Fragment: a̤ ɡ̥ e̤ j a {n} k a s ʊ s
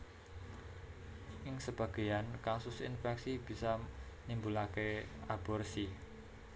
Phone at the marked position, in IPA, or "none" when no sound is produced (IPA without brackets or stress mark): n